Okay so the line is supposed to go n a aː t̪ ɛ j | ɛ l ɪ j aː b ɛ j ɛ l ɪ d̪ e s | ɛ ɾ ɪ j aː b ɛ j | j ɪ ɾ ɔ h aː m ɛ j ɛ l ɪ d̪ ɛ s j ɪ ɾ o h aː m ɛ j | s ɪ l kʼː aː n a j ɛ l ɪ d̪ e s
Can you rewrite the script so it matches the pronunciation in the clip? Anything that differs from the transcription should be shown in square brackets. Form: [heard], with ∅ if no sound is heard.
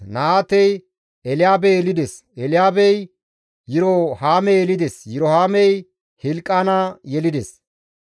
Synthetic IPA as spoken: n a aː t̪ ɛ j | ɛ l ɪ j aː b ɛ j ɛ l ɪ d̪ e s | ɛ [l] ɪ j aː b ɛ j | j ɪ ɾ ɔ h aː m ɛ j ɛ l ɪ d̪ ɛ s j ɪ ɾ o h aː m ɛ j | [h] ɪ l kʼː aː n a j ɛ l ɪ d̪ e s